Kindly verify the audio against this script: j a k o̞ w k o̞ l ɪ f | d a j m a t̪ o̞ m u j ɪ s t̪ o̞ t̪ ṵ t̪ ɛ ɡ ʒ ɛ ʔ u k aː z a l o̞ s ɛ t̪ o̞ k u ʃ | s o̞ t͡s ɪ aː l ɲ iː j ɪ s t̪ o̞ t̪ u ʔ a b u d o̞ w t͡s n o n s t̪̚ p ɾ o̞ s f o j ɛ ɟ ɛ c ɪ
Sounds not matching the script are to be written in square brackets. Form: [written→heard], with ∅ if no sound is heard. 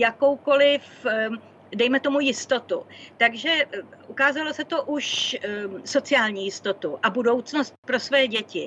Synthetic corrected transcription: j a k o̞ w k o̞ l ɪ f | d [a→ɛ] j m [a→ɛ] t̪ o̞ m u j ɪ s t̪ o̞ t̪ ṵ t̪ [ɛ→a] ɡ ʒ ɛ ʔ u k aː z a l o̞ s ɛ t̪ o̞ [k→ʔ] u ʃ | s o̞ t͡s ɪ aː l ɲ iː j ɪ s t̪ o̞ t̪ u ʔ a b u d o̞ w t͡s n o [n→∅] s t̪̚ p ɾ o̞ s [f→v] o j ɛ ɟ ɛ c ɪ